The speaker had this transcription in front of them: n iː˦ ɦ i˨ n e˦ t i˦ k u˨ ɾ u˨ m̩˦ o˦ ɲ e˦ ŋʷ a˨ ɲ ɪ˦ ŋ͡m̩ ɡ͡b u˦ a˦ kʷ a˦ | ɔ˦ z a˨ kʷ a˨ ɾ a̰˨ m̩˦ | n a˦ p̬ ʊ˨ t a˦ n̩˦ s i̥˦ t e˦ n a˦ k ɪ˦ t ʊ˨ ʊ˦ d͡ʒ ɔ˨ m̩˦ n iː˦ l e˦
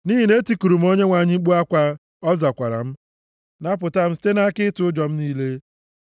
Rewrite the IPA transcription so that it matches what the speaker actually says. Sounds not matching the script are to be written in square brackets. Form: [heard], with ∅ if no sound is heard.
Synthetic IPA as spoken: n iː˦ ɦ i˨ n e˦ t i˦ k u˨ ɾ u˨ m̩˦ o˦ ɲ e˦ ŋʷ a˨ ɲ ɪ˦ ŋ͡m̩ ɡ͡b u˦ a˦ kʷ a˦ | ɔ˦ z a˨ kʷ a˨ ɾ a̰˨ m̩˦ | n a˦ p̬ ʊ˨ t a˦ [m̩˦] s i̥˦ t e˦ n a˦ k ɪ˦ t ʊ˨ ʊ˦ d͡ʒ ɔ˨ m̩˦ n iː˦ l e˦

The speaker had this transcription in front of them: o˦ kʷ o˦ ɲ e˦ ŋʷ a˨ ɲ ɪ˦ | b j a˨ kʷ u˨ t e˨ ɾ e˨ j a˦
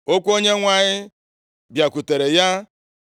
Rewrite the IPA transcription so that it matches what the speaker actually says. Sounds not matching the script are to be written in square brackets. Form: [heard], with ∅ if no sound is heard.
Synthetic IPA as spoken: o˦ kʷ o˦ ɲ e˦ ŋʷ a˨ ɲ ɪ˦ | b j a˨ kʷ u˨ t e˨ ɾ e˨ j a˦

